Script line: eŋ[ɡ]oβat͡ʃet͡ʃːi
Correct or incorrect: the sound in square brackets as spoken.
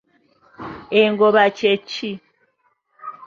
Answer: correct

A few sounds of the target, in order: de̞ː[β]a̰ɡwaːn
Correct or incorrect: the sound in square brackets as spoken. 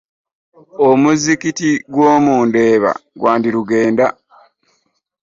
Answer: correct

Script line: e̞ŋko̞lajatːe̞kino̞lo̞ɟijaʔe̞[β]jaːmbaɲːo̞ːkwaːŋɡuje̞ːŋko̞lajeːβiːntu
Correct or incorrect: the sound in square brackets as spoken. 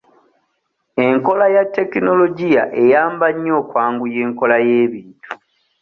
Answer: incorrect: none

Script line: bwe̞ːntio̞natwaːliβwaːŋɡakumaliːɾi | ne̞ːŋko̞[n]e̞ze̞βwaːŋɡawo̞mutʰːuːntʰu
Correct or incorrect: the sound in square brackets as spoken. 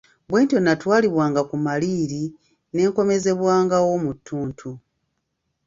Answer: incorrect: m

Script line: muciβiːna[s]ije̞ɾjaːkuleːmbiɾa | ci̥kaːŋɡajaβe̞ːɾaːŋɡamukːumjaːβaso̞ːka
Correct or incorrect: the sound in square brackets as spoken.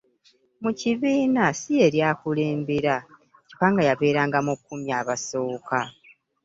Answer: correct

